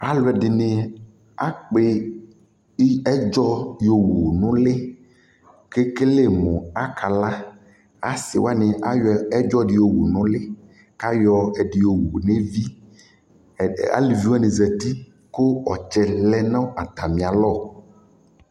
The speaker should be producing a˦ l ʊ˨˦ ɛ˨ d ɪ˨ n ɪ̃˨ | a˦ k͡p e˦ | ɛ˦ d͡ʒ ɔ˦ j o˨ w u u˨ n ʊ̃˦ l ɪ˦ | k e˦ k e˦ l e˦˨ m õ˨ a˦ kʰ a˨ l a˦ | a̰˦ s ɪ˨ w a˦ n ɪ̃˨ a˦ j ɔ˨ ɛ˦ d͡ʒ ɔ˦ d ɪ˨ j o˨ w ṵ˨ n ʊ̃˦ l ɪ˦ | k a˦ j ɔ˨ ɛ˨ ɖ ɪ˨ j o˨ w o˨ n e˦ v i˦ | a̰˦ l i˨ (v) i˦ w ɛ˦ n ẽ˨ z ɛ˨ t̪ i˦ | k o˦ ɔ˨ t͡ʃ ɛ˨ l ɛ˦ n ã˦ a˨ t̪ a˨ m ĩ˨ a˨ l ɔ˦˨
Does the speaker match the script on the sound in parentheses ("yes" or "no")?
yes